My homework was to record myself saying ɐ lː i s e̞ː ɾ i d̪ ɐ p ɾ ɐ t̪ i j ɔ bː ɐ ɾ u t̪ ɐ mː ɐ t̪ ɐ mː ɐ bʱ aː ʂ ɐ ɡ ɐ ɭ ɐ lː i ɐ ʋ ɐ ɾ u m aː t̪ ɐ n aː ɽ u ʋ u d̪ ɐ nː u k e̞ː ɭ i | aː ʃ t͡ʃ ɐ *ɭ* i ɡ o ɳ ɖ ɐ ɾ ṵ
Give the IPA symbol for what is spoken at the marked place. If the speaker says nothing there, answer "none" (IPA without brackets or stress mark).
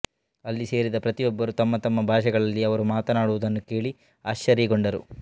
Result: ɾ